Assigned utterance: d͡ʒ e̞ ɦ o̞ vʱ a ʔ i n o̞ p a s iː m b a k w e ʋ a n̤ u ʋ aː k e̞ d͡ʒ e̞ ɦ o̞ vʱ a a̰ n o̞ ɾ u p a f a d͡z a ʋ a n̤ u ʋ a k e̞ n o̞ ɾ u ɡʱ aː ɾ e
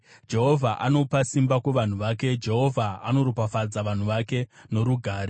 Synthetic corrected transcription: d͡ʒ e̞ ɦ o̞ vʱ a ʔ a n o̞ p a s i m b a k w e ʋ a n̤ u ʋ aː k e̞ d͡ʒ e̞ ɦ o̞ vʱ a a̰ n o̞ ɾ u p a f a d͡z a ʋ a n̤ u ʋ a k e̞ n o̞ ɾ u ɡʱ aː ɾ e